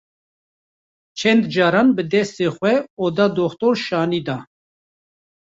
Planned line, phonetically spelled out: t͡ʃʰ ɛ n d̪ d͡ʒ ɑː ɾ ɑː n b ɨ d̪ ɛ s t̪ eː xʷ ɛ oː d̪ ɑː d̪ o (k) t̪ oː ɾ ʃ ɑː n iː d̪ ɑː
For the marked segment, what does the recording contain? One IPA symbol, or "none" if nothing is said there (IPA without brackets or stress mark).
x